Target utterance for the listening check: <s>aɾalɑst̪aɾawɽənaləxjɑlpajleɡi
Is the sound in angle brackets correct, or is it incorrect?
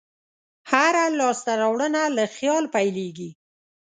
incorrect: h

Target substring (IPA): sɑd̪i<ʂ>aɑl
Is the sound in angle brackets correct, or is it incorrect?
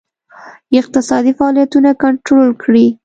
incorrect: f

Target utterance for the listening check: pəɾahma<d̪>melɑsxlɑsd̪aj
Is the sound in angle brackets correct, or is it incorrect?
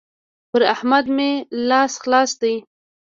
correct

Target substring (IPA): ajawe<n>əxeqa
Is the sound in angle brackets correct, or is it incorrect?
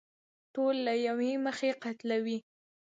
incorrect: m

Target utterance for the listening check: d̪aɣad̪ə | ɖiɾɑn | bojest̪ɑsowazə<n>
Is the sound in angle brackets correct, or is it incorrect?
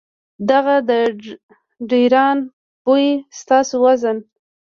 correct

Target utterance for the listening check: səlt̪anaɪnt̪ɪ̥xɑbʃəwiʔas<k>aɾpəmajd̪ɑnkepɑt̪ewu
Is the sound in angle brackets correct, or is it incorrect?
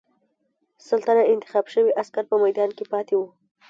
correct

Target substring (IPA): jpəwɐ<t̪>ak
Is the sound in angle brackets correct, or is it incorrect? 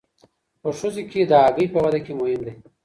incorrect: d̪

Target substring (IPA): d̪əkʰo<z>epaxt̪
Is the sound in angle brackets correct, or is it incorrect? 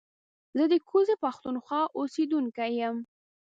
correct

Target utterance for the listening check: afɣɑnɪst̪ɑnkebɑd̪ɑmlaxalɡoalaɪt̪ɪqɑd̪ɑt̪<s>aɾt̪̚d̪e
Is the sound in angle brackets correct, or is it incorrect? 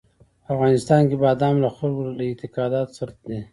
correct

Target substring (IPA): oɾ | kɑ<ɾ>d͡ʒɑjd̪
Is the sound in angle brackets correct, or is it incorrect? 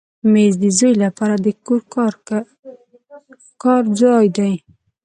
correct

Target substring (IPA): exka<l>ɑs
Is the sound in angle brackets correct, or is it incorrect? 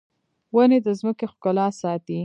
correct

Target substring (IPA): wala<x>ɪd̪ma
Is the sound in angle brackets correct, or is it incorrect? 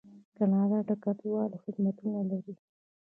correct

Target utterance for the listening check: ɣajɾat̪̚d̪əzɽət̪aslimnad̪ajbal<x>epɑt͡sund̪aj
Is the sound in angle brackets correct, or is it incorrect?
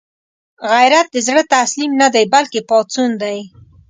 incorrect: k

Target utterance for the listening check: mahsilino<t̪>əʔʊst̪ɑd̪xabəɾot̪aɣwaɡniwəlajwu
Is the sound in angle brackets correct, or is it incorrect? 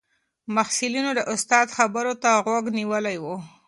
incorrect: d̪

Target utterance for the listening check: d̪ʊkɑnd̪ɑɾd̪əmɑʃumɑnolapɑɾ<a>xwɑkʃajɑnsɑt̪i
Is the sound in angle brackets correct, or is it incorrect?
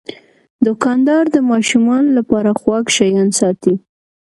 correct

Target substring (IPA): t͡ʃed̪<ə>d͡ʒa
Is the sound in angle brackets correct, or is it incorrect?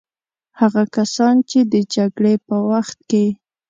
correct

